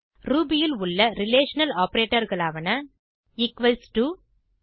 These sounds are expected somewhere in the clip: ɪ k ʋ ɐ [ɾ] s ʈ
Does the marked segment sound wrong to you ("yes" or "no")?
yes